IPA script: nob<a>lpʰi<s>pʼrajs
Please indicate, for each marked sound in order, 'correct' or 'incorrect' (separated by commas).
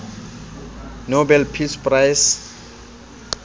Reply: incorrect, correct